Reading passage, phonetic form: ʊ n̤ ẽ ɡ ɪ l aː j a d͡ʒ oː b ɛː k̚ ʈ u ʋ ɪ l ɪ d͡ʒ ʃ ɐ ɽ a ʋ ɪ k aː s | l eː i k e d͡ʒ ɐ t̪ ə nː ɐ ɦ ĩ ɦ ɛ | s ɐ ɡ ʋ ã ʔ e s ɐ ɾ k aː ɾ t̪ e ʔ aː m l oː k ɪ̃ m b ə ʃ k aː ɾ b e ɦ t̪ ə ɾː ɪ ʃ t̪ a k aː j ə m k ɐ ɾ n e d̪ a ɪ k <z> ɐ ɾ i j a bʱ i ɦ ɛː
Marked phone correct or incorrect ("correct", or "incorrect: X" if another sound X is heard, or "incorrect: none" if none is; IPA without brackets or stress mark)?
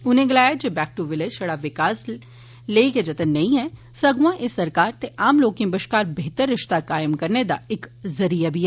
correct